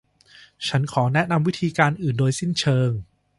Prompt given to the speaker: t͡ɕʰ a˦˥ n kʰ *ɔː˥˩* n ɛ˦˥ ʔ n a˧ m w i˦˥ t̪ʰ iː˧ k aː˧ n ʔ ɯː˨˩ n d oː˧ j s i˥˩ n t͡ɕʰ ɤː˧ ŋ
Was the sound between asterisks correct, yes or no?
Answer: no